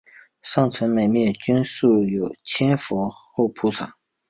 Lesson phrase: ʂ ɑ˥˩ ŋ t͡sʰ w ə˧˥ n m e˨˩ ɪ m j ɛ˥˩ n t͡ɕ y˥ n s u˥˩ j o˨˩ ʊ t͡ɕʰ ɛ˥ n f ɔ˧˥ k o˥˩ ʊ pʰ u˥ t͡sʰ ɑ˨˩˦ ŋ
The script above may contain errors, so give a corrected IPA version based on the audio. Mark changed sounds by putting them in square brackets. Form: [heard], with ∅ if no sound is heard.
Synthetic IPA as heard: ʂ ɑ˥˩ ŋ t͡sʰ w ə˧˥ n m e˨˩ ɪ m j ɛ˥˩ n t͡ɕ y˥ n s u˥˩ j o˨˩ ʊ t͡ɕʰ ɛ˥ n f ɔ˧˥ [x] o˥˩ ʊ pʰ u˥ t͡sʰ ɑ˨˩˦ ŋ